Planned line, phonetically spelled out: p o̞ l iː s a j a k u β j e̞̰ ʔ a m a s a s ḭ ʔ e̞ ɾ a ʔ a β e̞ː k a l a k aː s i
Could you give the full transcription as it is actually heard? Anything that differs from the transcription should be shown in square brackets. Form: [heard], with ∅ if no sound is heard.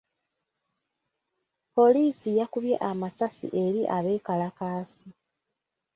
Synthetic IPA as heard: p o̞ l iː s [i] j a k u β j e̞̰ ʔ a m a s a s ḭ ʔ e̞ ɾ [i] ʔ a β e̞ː k a l a k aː s i